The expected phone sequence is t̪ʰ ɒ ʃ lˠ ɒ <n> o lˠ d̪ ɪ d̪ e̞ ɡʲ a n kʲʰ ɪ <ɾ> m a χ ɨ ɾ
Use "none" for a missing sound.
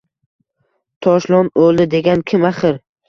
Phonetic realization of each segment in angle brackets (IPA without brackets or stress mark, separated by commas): n, none